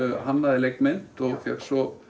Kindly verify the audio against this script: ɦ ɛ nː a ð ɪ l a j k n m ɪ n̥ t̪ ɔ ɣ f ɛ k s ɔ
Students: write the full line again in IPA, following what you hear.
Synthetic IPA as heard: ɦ a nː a ð ɪ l e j k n m ɪ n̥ t̪ ɔ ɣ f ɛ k s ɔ

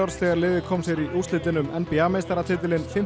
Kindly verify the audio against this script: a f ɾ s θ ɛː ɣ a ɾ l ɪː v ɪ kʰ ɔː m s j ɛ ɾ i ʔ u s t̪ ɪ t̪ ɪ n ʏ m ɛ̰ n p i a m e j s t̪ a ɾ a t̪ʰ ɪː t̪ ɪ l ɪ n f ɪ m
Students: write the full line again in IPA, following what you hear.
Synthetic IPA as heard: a ɾ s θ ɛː ɣ a ɾ l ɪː ð ɪ kʰ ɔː m s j ɛ ɾ i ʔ u s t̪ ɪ t̪ ɪ n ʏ m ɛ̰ n p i a m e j s t̪ a ɾ a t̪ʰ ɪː t̪ ɪ l ɪ n f ɪ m

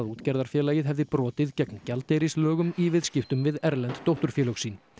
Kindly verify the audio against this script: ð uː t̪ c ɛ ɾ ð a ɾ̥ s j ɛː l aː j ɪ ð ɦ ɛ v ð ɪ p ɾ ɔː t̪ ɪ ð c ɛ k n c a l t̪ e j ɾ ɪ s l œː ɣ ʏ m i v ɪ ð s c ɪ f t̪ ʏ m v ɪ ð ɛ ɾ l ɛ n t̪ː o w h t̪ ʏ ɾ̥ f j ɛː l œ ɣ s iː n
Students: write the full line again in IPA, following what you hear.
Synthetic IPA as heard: ð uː t̪ c ɛ ɾ ð a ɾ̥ f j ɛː l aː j ɪ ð ɦ ɛ v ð ɪ p ɾ ɔː t̪ ɪ ð c ɛ k n c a l t̪ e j ɾ ɪ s l œː ɣ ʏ m i v ɪ ð s c ɪ f t̪ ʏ m v ɪ ð ɛ ɾ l ɛ n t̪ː o w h t̪ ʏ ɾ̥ f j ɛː l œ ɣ s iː n

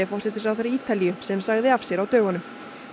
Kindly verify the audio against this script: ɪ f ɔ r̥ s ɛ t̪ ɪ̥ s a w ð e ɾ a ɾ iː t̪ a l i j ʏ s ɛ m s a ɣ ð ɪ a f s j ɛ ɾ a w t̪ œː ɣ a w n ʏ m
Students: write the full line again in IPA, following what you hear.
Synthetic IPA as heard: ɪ f ɔ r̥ s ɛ t̪ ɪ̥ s a w θ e ɾ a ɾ iː t̪ a l i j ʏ s ɛ m s a ɣ ð ɪ a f s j ɛ ɾ a w t̪ œː ɣ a n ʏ m

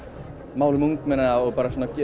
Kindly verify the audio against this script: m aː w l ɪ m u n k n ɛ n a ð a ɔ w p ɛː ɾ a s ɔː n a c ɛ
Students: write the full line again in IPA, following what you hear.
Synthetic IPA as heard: m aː w l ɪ m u ŋ k m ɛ n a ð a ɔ ɣ p aː ɾ a s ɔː n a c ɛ

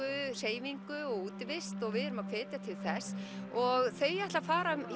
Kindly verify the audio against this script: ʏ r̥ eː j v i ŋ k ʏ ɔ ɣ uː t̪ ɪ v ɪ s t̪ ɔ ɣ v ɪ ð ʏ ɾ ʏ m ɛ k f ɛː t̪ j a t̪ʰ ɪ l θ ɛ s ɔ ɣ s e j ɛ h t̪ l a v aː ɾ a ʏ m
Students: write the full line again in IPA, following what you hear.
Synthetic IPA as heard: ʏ r̥ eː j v i ŋ k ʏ ɔ ɣ uː t̪ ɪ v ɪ s t̪ ɔ ɣ v ɪ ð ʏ ɾ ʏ m a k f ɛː t̪ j a t̪ʰ ɪ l θ ɛ s ɔ ɣ θ e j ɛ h t̪ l a f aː ɾ a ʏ m

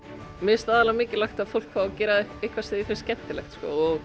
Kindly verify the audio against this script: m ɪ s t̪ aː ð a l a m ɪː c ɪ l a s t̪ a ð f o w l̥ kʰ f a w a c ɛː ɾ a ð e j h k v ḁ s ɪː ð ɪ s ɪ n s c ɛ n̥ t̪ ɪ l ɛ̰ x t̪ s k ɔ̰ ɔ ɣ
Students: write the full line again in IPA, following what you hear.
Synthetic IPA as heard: m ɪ s t̪ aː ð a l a m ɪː c ɪ l a x t̪ a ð f o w l̥ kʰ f a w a c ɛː ɾ a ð e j h k v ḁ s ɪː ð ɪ f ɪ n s c ɛ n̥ t̪ ɪ l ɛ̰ x t̪ s k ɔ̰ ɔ ɣ

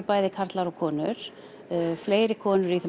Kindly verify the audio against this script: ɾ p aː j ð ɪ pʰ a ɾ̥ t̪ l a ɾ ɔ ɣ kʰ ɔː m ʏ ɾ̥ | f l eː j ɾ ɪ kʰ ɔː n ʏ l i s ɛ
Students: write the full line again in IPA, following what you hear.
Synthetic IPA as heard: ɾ p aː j ð ɪ kʰ a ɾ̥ t̪ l a ɾ ɔ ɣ kʰ ɔː n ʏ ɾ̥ | f l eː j ɾ ɪ kʰ ɔː n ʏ ɾ i θ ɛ

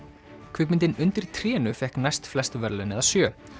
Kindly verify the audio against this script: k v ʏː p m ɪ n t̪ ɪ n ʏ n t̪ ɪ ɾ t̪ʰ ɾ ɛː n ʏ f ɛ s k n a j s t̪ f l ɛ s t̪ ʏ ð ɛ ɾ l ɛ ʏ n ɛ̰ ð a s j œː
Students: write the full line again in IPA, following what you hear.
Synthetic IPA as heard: kʰ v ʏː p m ɪ n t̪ ɪ n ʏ n t̪ ɪ ɾ t̪ʰ ɾ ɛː n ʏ f ɛ h k n a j s t̪ f l ɛ s t̪ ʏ v ɛ ɾ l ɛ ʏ n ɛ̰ ð a s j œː

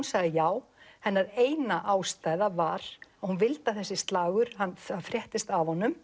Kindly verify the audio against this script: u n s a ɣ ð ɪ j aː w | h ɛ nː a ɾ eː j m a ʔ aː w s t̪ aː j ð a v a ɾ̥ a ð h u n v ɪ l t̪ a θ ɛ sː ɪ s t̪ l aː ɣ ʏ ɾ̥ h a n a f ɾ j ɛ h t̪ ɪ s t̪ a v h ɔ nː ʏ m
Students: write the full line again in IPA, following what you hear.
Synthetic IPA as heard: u n s a ɣ ð ɪ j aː w | h ɛ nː a ɾ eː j n a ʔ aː w s t̪ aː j ð a v a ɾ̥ a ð h u n v ɪ l t̪ a θ ɛ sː ɪ s t̪ l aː ɣ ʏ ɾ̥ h a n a f ɾ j ɛ h t̪ ɪ s t̪ a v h ɔ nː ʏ m

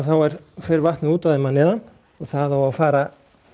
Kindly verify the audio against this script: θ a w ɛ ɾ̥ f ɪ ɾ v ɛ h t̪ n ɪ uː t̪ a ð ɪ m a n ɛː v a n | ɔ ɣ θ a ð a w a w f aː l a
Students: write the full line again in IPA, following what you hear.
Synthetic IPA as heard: θ a w ɛ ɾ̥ f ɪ ɾ v a h t̪ n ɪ uː t̪ a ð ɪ m a n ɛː ð a n | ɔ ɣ θ a ð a w a w f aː ɾ a

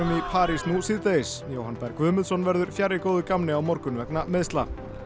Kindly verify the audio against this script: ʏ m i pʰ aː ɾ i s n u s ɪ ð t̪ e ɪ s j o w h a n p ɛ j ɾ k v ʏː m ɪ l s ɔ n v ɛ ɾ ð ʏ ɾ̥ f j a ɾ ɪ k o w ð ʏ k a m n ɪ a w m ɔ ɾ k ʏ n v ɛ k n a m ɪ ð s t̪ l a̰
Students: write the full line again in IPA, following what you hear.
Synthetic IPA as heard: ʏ m i pʰ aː ɾ i s n u s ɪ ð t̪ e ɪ s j o w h a n p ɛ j ɾ k v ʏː m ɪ l s ɔ n v ɛ ɾ ð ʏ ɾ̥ f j a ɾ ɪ k o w ð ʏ k a m n ɪ a w m ɔ ɾ k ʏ n v ɛ k n a m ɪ ð s t̪ l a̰

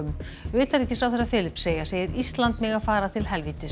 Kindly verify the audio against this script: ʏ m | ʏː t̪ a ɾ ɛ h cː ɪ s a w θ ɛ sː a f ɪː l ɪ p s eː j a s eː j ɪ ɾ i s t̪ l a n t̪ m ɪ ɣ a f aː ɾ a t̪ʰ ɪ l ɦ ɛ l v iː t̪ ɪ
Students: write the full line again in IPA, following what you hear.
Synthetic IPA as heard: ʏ m | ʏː t̪ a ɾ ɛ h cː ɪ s a w θ ɛ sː a f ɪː l ɪ p s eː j a s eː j ɪ ɾ i s t̪ l a n t̪ m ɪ ɣ a f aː ɾ a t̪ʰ ɪ l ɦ ɛ l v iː t̪ ɪ

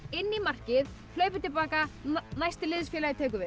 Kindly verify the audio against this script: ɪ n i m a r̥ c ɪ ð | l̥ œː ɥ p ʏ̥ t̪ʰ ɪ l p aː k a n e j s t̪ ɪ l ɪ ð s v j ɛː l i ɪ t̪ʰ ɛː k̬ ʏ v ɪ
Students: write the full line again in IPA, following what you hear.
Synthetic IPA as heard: ɪ nː i m a r̥ c ɪ ð | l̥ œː ɥ p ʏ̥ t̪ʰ ɪ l p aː k a n a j s t̪ ɪ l ɪ ð s f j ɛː l a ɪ t̪ʰ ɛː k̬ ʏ v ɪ

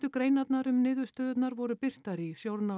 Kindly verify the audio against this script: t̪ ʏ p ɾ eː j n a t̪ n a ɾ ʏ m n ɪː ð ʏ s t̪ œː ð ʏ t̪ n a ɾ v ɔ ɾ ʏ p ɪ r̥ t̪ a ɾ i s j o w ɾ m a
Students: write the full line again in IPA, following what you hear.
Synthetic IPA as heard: t̪ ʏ k ɾ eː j n a t̪ n a ɾ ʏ m n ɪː ð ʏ s t̪ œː ð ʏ t̪ n a ɾ v ɔ ɾ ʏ p ɪ r̥ t̪ a ɾ i s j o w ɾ n a

